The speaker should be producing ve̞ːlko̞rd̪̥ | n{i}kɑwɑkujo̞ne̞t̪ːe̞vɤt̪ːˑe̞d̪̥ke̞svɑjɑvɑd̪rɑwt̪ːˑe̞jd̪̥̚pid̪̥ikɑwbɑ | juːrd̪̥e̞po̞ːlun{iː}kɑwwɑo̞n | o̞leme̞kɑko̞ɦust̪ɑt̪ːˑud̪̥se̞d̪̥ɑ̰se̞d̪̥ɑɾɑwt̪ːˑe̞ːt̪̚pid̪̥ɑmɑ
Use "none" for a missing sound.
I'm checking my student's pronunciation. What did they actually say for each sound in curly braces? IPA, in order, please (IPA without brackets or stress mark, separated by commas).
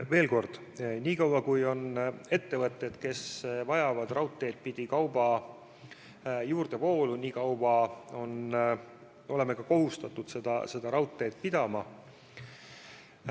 iː, iː